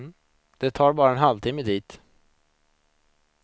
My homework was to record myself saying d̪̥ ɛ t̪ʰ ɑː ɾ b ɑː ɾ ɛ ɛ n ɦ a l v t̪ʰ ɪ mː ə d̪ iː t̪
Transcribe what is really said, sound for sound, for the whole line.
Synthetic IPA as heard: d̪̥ ɛ t̪ʰ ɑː ɾ b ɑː ɾ a ɛ n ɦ a l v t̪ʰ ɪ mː ə d̪ iː t̪